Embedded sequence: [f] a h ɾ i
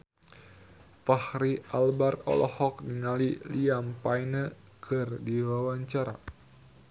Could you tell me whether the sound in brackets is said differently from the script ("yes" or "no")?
no